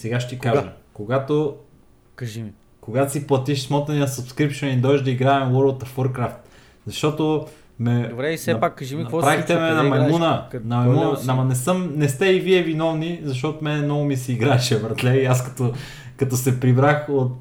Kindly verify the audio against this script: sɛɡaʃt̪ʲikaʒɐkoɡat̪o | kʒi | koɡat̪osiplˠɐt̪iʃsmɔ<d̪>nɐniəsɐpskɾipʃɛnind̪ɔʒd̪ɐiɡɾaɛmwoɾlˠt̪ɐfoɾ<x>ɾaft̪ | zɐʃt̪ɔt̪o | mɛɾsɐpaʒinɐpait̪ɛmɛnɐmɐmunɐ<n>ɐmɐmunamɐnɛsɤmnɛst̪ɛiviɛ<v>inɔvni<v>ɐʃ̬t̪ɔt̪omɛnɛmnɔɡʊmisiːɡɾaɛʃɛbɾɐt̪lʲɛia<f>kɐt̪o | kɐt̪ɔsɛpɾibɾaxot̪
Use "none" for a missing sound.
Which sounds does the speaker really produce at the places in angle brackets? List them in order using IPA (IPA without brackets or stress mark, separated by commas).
t̪, k, n, v, z, s